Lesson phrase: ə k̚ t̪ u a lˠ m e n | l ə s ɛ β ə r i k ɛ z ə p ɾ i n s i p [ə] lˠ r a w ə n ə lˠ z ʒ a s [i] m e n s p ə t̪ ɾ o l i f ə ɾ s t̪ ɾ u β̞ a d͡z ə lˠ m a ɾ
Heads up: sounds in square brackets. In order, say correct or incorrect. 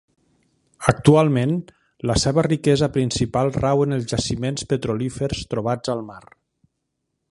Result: incorrect: a, correct

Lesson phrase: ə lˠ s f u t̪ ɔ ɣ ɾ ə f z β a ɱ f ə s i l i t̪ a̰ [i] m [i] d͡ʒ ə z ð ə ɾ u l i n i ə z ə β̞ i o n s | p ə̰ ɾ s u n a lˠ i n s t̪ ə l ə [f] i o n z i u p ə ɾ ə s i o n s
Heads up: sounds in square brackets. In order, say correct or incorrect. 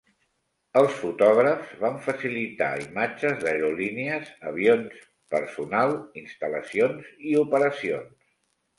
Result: correct, incorrect: a, incorrect: s

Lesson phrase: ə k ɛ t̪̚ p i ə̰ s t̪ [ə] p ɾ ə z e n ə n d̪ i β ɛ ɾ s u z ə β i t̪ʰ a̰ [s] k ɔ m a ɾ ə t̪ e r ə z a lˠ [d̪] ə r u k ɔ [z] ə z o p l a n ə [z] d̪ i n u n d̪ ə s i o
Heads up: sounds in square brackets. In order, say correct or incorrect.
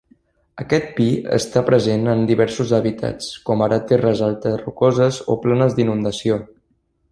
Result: incorrect: a, incorrect: t͡s, incorrect: t̪, correct, correct

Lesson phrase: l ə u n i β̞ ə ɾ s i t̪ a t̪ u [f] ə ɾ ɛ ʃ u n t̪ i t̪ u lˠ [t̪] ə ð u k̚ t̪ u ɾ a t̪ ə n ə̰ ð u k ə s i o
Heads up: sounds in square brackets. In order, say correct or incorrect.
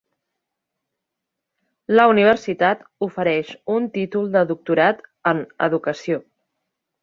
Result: correct, incorrect: d̪

